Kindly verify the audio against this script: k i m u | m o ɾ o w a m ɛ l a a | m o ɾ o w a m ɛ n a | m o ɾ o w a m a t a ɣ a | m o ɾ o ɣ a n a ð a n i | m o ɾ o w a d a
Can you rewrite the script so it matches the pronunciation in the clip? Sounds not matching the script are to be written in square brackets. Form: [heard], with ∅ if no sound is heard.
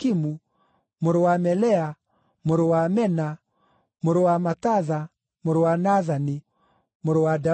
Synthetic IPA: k i m u | m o ɾ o w a m ɛ l [ɛ] a | m o ɾ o w a m ɛ n a | m o ɾ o w a m a t a [ð] a | m o ɾ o [w] a n a ð a n i | m o ɾ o w a d a